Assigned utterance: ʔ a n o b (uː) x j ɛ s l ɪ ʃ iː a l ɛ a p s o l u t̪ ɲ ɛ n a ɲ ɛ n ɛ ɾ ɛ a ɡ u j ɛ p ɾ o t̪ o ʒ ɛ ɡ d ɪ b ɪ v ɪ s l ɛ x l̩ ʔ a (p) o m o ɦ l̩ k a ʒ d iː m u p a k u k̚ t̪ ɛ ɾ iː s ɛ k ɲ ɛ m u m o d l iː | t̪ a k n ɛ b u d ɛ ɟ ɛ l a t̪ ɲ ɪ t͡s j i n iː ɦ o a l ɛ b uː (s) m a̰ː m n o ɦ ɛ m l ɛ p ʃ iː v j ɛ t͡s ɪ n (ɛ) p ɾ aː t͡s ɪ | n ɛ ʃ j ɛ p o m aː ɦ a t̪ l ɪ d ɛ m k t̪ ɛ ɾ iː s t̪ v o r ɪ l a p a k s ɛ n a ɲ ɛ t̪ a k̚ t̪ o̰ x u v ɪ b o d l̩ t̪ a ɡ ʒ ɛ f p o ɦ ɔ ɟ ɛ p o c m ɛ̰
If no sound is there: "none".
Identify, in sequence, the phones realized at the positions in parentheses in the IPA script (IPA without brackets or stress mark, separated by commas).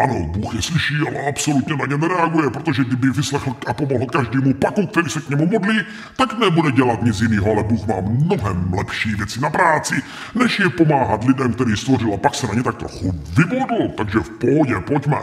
uː, p, x, a